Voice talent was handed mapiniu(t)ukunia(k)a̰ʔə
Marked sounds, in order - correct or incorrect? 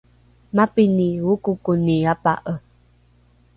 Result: incorrect: k, incorrect: p

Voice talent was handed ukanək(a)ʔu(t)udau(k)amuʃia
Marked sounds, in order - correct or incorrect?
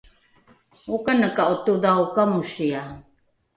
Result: correct, correct, correct

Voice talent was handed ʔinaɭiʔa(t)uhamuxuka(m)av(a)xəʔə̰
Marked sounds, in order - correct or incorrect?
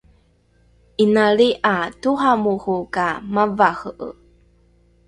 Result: correct, correct, correct

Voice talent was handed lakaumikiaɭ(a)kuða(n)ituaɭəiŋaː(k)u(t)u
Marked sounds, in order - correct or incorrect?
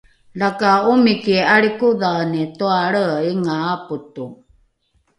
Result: incorrect: i, correct, incorrect: p, correct

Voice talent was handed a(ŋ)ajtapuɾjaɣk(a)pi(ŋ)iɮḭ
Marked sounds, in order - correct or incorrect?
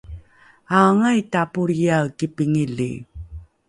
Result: correct, incorrect: i, correct

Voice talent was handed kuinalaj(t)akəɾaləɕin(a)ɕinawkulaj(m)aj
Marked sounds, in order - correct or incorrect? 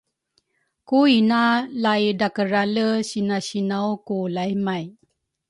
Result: incorrect: d, correct, correct

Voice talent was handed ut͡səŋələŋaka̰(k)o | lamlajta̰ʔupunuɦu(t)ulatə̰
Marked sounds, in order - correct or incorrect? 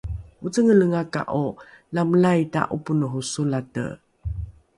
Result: incorrect: ʔ, incorrect: s

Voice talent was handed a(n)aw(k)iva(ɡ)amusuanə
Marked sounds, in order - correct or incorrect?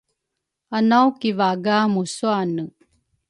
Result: correct, correct, correct

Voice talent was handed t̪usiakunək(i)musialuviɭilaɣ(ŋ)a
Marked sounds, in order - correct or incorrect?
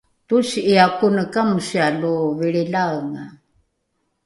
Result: incorrect: a, correct

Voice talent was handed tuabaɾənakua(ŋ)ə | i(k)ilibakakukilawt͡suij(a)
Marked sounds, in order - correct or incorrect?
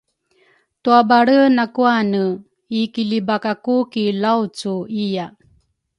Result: incorrect: n, correct, correct

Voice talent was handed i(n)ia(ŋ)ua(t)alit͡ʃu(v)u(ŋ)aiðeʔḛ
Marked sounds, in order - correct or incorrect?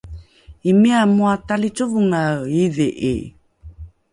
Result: incorrect: m, incorrect: m, correct, correct, correct

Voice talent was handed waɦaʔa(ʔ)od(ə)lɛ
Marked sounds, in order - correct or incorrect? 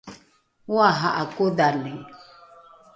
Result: incorrect: k, incorrect: a

